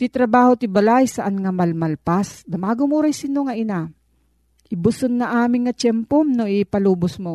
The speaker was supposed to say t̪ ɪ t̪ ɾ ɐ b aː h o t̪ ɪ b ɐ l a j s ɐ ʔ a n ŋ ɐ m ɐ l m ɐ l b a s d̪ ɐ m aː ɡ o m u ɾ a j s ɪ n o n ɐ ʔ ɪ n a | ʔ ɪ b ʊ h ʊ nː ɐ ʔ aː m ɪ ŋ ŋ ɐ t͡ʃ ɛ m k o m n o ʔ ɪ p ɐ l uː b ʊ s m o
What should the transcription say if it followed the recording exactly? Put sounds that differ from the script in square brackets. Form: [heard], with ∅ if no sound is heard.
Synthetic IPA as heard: t̪ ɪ t̪ ɾ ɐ b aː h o t̪ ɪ b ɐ l a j s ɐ ʔ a n ŋ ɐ m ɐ l m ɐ l [p] a s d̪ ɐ m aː ɡ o m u ɾ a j s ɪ n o [ŋ] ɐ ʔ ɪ n a | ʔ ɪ b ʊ [s] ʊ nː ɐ ʔ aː m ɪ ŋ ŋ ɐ t͡ʃ ɛ m [p] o m n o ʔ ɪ p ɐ l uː b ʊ s m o